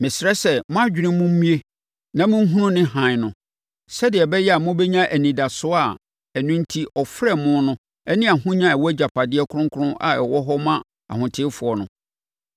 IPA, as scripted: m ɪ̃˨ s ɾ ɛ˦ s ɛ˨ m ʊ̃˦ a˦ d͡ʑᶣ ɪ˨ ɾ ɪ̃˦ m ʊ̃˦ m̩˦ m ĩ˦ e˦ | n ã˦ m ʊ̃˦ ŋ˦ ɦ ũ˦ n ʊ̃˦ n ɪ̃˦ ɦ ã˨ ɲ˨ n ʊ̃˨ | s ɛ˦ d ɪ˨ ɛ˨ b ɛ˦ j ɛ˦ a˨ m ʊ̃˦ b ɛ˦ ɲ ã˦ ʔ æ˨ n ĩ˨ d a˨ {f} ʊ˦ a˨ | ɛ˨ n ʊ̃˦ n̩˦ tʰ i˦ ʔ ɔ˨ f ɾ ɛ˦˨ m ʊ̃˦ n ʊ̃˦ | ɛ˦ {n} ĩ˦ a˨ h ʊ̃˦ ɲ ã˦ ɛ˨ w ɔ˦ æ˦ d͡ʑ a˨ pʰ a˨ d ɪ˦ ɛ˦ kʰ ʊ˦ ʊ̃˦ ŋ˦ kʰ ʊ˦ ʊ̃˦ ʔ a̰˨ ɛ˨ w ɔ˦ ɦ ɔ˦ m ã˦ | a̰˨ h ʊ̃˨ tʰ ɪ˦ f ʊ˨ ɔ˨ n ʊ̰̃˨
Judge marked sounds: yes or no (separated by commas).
no, yes